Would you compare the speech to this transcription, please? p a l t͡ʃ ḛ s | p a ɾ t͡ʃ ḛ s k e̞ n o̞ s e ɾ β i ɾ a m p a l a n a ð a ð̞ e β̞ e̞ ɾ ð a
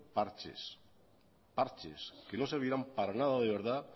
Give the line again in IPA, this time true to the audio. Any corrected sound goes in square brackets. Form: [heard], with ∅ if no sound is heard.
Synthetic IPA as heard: p a [ɾ] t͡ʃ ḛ s | p a ɾ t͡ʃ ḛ s k e̞ n o̞ s e ɾ β i ɾ a m p a [ɾ] a n a ð a ð̞ e β̞ e̞ ɾ ð a